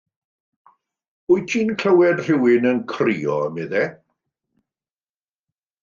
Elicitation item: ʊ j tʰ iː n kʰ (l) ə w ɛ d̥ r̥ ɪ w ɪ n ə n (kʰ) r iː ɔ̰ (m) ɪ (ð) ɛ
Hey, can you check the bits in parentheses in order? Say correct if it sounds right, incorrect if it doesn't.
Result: correct, correct, correct, correct

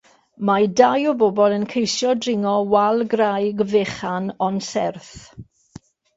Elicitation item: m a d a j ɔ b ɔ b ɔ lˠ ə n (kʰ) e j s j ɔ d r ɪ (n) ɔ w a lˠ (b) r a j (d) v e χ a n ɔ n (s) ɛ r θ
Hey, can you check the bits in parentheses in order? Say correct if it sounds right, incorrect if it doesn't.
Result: correct, incorrect: ŋ, incorrect: ɡ, incorrect: ɡ, correct

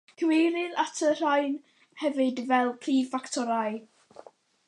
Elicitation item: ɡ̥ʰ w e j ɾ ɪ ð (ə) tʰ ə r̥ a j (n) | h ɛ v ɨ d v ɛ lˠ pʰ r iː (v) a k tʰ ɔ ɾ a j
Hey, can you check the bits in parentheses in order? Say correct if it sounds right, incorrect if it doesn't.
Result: incorrect: a, correct, incorrect: f

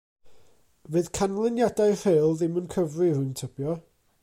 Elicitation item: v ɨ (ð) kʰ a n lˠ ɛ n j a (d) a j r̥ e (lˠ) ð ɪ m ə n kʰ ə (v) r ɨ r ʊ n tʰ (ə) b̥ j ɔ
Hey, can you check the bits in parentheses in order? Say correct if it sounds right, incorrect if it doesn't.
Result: correct, correct, correct, correct, correct

